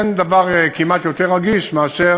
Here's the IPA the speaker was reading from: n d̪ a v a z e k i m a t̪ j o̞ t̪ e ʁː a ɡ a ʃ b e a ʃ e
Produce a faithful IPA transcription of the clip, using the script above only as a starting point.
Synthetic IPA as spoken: n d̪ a v a ʁ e k i m a t̪ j o̞ t̪ e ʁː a ɡ i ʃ m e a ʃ e